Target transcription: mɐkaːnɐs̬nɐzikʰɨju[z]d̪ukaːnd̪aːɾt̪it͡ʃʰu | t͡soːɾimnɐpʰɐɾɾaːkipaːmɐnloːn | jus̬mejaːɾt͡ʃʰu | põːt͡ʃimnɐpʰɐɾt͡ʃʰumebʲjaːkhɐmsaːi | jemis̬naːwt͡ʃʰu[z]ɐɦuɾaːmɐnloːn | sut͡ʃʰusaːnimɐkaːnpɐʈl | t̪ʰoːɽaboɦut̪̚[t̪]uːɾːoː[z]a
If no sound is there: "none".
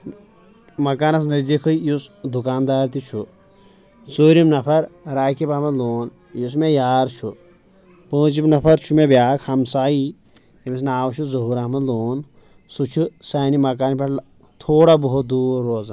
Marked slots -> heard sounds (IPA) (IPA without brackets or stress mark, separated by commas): s, z, d̪, z